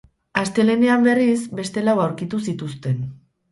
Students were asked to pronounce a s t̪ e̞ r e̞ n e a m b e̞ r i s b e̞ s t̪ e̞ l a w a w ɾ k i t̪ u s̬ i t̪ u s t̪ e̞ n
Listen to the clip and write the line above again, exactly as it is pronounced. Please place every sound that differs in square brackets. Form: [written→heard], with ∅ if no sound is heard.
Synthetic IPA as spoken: a s t̪ e̞ [r→l] e̞ n e a m b e̞ r i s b e̞ s t̪ e̞ l a w a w ɾ k i t̪ u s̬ i t̪ u s t̪ e̞ n